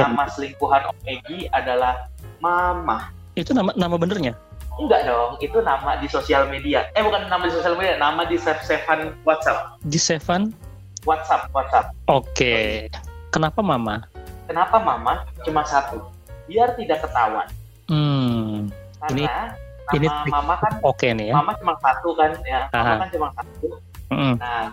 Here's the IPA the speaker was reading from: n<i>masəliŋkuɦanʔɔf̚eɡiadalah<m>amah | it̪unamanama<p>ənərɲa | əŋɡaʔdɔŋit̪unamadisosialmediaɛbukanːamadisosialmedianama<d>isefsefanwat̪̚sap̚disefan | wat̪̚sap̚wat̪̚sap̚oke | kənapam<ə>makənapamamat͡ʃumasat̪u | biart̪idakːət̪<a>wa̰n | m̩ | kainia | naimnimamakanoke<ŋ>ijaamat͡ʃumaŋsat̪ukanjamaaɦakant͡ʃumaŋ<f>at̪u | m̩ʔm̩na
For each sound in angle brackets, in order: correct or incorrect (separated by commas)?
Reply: incorrect, correct, incorrect, correct, incorrect, correct, incorrect, incorrect